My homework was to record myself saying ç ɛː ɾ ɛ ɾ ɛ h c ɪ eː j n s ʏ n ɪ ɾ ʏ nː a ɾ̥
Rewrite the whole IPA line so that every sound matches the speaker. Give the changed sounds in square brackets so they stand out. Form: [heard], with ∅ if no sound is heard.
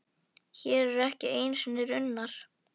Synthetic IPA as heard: ç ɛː ɾ ɛ ɾ ɛ h c ɪ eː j n s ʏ n ɪ ɾ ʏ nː a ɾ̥